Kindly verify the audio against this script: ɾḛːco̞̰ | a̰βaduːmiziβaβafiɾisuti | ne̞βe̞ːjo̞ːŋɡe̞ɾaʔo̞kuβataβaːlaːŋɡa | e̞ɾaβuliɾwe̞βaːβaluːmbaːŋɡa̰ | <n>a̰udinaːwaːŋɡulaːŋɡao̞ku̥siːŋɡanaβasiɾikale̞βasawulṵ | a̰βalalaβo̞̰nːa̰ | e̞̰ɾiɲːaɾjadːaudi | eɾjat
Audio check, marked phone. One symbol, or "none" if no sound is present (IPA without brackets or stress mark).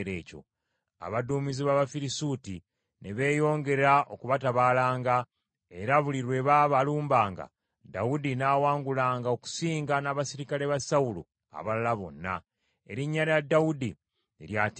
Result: d